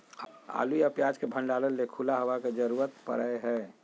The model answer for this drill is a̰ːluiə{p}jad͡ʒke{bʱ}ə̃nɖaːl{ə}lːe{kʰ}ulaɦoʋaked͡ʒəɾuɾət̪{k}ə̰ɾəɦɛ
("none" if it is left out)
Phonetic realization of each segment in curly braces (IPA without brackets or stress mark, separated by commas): p, bʱ, ə, kʰ, p